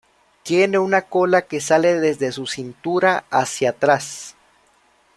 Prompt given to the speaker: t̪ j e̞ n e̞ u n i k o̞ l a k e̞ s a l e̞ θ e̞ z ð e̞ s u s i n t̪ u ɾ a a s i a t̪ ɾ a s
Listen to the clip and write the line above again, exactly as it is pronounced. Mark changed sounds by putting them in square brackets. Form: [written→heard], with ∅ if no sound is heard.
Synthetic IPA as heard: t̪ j e̞ n e̞ u n [i→a] k o̞ l a k e̞ s a l e̞ [θ→ð] e̞ z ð e̞ s u s i n t̪ u ɾ a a s [i→j] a t̪ ɾ a s